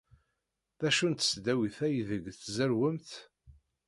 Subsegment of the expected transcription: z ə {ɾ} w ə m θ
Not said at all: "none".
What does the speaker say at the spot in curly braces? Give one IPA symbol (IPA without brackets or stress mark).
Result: ɾ